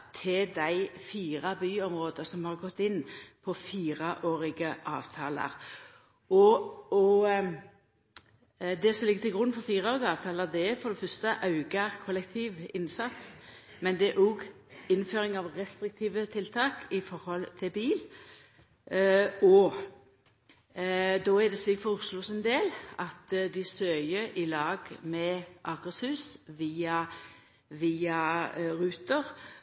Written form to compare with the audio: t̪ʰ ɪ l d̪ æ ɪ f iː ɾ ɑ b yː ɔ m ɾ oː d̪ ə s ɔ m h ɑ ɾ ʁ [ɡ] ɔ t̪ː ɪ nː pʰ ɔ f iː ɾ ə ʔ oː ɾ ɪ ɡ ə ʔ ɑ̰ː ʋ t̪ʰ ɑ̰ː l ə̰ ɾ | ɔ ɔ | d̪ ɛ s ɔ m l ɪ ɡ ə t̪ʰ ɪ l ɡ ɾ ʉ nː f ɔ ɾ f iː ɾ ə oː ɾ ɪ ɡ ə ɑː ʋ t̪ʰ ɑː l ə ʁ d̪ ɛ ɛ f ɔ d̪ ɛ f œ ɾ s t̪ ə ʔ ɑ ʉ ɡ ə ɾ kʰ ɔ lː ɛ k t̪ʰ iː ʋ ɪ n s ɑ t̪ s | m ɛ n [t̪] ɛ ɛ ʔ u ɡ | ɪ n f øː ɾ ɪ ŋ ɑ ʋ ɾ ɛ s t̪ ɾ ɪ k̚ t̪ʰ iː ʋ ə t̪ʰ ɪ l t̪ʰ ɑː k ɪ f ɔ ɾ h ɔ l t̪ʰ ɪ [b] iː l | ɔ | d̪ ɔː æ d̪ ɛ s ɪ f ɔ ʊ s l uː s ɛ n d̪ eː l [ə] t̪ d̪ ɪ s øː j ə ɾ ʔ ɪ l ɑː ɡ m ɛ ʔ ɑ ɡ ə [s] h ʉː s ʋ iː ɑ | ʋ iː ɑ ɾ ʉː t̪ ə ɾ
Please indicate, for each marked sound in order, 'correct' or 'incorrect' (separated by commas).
correct, incorrect, correct, incorrect, correct